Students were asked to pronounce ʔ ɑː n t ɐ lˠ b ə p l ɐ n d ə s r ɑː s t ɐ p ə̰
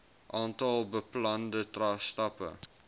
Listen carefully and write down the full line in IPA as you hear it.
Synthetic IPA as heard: ʔ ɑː n t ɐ lˠ b ə p l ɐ n d ə t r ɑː s t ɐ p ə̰